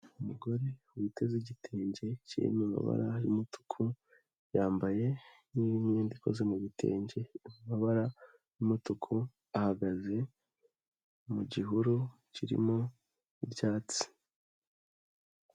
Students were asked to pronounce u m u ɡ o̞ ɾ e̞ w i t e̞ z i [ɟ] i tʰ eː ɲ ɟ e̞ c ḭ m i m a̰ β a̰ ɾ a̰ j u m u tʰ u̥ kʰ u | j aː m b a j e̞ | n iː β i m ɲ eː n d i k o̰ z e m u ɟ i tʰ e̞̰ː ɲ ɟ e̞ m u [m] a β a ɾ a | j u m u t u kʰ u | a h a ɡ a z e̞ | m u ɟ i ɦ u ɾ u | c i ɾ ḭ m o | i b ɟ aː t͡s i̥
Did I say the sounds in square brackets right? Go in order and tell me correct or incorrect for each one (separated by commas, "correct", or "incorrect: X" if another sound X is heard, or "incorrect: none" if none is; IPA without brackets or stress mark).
correct, correct